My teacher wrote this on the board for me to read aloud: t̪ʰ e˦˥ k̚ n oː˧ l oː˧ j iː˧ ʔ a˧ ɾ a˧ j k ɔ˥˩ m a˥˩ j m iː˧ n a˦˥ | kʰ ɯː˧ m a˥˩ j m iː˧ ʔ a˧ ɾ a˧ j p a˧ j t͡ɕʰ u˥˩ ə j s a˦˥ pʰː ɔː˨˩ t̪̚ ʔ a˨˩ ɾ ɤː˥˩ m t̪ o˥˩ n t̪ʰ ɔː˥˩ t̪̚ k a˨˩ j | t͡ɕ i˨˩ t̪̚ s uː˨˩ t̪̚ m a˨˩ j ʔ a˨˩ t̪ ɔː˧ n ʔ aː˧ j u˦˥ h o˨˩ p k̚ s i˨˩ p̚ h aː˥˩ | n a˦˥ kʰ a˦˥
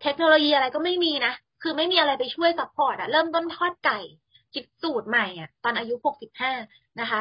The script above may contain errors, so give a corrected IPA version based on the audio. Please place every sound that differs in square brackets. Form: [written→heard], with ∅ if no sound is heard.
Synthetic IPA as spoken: t̪ʰ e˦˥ k̚ n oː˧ l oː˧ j iː˧ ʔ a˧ ɾ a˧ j k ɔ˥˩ m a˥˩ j m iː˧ n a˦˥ | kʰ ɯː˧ m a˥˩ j m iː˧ ʔ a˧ ɾ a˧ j p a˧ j t͡ɕʰ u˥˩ ə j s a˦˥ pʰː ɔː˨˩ t̪̚ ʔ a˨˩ ɾ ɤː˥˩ m t̪ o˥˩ n t̪ʰ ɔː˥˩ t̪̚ k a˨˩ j | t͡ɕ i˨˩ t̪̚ s uː˨˩ t̪̚ m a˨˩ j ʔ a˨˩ t̪ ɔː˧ n ʔ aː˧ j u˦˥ h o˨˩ [p→∅] k̚ s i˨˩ p̚ h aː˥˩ | n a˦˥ kʰ a˦˥